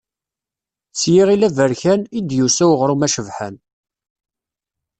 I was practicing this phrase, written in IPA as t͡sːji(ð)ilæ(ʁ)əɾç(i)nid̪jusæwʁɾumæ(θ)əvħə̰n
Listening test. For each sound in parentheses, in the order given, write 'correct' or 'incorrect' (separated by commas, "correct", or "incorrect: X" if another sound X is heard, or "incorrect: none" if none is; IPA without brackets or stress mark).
incorrect: ʁ, incorrect: v, incorrect: æ, incorrect: ʃ